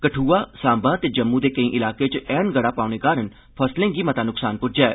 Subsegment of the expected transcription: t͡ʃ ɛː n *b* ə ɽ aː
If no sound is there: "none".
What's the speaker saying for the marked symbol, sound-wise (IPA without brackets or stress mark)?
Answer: ɡ